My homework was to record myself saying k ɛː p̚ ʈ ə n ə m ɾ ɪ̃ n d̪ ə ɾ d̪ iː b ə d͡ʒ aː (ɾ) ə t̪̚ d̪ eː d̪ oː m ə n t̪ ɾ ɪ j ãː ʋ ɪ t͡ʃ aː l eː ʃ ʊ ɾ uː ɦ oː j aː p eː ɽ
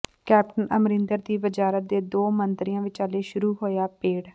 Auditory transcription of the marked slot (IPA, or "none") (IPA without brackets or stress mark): ɾ